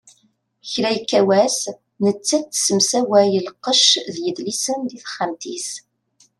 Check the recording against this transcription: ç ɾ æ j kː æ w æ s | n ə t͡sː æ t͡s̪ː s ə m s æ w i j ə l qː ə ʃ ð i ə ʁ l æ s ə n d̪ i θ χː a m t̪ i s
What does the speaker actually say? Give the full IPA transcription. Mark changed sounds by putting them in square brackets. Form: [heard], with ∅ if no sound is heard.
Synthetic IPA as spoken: ç ɾ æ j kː æ w æ s | n ə t͡sː æ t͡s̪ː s ə m s æ w [æ] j ə l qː ə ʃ ð [j] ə [ð] l [i] s ə n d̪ i θ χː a m t̪ i s